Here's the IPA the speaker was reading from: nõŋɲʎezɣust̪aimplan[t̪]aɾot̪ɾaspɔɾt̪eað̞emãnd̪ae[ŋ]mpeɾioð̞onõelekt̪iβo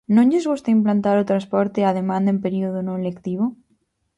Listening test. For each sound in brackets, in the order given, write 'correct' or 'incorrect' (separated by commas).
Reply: correct, incorrect